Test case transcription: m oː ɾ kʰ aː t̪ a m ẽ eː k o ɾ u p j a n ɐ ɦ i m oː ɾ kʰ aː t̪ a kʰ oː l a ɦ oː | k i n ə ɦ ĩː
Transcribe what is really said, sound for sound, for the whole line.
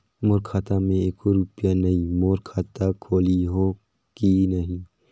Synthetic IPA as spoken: m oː ɾ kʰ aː t̪ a m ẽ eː k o ɾ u p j a n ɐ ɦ i m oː ɾ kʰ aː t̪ a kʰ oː l i ɦ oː | k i n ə ɦ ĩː